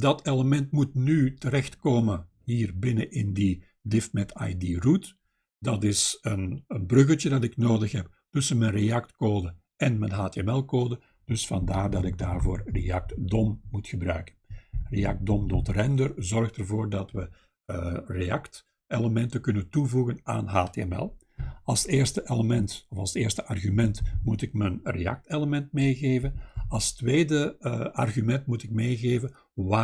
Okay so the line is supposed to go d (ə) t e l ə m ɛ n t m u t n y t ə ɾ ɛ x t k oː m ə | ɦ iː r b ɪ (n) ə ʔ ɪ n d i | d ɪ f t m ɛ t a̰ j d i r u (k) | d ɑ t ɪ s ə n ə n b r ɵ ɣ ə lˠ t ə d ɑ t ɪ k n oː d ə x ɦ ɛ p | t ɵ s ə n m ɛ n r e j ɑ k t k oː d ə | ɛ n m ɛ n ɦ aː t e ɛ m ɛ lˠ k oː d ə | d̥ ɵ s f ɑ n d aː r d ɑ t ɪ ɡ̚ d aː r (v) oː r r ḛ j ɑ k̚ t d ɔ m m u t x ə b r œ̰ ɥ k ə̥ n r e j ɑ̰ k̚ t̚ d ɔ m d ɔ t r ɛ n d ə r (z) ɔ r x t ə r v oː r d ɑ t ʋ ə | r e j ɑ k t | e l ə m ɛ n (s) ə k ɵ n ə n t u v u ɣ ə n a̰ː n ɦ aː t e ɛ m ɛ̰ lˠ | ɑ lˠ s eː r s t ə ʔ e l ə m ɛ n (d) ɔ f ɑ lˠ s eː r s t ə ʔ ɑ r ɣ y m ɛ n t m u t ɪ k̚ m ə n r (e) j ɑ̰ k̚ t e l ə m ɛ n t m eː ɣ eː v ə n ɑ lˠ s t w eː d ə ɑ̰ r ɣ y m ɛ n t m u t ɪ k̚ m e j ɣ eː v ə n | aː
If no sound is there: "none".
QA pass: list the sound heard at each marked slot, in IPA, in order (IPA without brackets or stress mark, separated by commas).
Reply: ɑ, n, t, v, z, t, t, e